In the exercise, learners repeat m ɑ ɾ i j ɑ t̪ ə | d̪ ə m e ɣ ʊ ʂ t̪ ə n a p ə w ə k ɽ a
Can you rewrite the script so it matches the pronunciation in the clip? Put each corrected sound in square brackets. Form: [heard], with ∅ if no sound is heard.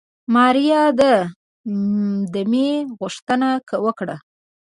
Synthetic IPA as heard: m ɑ ɾ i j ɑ [d̪] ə | d̪ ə m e ɣ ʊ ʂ t̪ ə n a [k] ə w ə k ɽ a

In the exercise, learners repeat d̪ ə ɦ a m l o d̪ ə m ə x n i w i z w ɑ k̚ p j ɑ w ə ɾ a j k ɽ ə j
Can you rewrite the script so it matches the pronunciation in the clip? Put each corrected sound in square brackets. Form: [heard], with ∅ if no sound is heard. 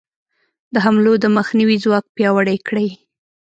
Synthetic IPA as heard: d̪ ə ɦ a m l o d̪ ə m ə x n i w i z w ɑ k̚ p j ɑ w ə [ɽ] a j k ɽ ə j

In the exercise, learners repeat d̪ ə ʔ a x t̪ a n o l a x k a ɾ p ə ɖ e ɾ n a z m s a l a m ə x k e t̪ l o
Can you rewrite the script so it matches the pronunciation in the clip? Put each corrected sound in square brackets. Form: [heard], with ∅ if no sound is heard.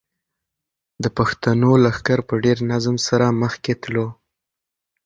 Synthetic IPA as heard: d̪ ə [p] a x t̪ a n o l a x k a ɾ p ə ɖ e ɾ n a z m s a [ɾ] a m ə x k e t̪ l o

